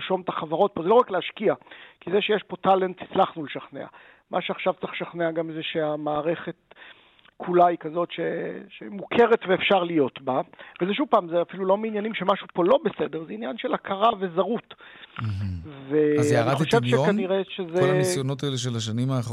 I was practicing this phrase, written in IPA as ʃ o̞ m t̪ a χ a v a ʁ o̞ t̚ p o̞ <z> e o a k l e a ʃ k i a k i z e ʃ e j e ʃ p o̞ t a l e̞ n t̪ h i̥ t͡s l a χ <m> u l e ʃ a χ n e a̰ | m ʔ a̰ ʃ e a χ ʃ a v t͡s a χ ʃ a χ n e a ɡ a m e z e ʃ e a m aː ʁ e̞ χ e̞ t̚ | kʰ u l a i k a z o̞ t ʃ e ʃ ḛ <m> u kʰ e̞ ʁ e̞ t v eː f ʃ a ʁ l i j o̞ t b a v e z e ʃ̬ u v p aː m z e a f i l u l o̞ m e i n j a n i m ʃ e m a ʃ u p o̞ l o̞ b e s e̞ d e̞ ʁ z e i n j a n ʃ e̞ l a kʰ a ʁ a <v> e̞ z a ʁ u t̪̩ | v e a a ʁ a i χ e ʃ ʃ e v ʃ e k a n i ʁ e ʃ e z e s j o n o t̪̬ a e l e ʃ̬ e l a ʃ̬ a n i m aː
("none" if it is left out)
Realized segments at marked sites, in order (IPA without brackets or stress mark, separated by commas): z, n, m, v